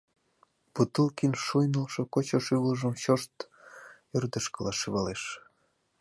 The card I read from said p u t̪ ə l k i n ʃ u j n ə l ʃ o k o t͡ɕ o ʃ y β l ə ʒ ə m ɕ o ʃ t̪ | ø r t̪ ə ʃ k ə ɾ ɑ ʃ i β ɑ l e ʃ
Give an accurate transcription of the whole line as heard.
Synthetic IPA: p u t̪ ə l k i n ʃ u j n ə l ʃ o k o t͡ɕ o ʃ y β l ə ʒ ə m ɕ o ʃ t̪ | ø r d̪ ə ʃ k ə l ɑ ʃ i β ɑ l e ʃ